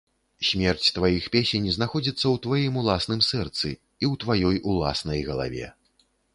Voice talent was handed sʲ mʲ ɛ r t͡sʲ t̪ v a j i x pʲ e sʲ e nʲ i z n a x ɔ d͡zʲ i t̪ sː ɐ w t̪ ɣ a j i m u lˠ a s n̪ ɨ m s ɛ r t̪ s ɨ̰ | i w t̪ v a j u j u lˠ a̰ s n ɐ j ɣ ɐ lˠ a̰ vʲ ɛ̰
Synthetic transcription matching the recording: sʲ mʲ ɛ r t͡sʲ t̪ v a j i x pʲ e sʲ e nʲ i z n a x ɔ d͡zʲ i t̪ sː ɐ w t̪ v a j i m u lˠ a s n̪ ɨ m s ɛ r t̪ s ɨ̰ | i w t̪ v a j ɔ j u lˠ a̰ s n ɐ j ɣ ɐ lˠ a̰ vʲ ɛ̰

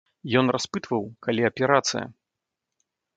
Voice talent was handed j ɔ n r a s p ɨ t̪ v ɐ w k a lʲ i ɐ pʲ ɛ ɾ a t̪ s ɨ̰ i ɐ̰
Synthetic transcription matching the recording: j ɔ n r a s p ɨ t̪ v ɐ w k a lʲ i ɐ pʲ ɛ ɾ a t̪ s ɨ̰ j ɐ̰

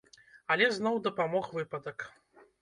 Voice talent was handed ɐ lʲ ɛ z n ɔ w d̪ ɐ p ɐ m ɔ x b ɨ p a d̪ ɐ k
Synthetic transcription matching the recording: ɐ lʲ ɛ z n ɔ w d̪ ɐ p a m ɔ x v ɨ p ɐ d̪ ɐ k

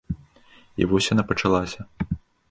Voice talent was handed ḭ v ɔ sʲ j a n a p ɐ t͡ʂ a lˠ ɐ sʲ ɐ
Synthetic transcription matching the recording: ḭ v ɔ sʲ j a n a p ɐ t͡ʂ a lˠ a sʲ ɐ

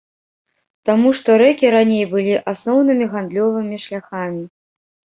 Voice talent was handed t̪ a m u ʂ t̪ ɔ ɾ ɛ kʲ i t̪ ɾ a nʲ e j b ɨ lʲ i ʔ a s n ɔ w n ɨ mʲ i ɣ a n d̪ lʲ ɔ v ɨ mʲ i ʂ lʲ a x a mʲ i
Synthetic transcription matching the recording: t̪ a m u ʂ t̪ ɔ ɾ ɛ kʲ i ɾ a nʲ e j b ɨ lʲ i ʔ a s n ɔ w n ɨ mʲ i ɣ a n d̪ lʲ ɔ v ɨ mʲ i ʂ lʲ a x a mʲ i

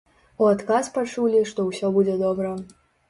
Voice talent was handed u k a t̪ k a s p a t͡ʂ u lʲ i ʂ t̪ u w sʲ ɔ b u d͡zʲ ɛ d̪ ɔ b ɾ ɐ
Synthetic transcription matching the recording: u a t̪ k a s p a t͡ʂ u lʲ i ʂ t̪ ɔ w sʲ ɔ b u d͡zʲ ɛ d̪ ɔ b ɾ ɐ

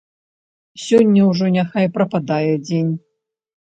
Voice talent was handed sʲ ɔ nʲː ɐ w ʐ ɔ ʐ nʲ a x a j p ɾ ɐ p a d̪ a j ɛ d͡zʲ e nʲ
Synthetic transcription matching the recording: sʲ ɔ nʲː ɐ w ʐ ɔ nʲ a x a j p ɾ ɐ p a d̪ a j ɛ d͡zʲ e nʲ

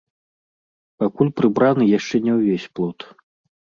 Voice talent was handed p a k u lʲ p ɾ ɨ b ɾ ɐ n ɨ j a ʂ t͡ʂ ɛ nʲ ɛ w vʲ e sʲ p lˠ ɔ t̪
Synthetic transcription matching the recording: p a k u lʲ p ɾ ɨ b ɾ a n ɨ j a ʂ t͡ʂ ɛ nʲ ɛ w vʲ e sʲ p lˠ ɔ t̪

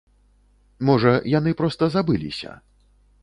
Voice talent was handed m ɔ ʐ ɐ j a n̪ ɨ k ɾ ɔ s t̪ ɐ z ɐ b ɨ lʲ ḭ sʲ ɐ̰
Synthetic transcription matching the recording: m ɔ ʐ ɐ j a n̪ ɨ p ɾ ɔ s t̪ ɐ z a b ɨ lʲ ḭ sʲ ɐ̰

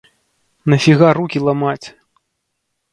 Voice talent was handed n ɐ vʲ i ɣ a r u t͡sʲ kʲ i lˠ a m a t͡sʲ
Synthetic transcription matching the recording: n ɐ fʲ i ɣ a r u kʲ i lˠ a m a t͡sʲ

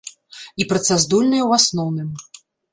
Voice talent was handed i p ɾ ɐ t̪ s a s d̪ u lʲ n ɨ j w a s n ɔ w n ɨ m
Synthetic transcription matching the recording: i p ɾ ɐ t̪ s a z d̪ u lʲ n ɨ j w a s n ɔ w n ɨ m

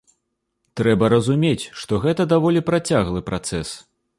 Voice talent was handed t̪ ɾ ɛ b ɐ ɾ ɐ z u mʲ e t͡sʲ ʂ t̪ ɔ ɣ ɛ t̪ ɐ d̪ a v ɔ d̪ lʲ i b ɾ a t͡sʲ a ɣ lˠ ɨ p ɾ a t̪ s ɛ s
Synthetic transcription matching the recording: t̪ ɾ ɛ b ɐ ɾ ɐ z u mʲ e t͡sʲ ʂ t̪ ɔ ɣ ɛ t̪ ɐ d̪ a v ɔ lʲ i p ɾ a t͡sʲ a ɣ lˠ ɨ p ɾ a t̪ s ɛ s

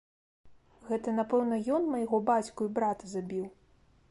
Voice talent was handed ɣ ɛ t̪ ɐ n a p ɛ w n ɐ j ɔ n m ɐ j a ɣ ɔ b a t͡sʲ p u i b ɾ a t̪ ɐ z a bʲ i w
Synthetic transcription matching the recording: ɣ ɛ t̪ ɐ n a p ɛ w n ɐ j ɔ n m ɐ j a ɣ ɔ b a t͡sʲ k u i b ɾ a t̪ ɐ z a bʲ i w

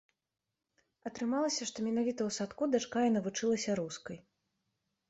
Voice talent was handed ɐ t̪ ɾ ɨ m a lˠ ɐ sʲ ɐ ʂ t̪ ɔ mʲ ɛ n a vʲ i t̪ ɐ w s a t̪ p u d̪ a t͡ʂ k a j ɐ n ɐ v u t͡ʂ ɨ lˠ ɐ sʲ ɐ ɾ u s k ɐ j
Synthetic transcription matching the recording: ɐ t̪ ɾ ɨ m a lˠ ɐ sʲ ɐ ʂ t̪ ɔ mʲ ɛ n a vʲ i t̪ ɐ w s a t̪ k u d̪ a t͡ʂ k a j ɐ n ɐ v u t͡ʂ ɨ lˠ ɐ sʲ ɐ ɾ u s k ɐ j

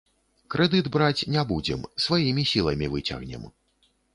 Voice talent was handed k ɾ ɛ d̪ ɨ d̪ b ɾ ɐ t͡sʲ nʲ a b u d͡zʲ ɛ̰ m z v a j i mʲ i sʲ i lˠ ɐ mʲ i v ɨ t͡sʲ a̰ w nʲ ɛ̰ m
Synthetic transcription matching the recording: k ɾ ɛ d̪ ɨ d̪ b ɾ a t͡sʲ nʲ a b u d͡zʲ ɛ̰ m s v a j i mʲ i sʲ i lˠ ɐ mʲ i v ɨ t͡sʲ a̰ ɣ nʲ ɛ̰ m

